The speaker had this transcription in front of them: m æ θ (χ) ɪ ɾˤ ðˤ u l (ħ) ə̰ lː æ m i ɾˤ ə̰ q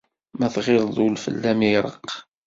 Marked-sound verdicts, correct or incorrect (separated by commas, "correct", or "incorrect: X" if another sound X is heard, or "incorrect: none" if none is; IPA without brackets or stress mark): incorrect: ʁ, incorrect: f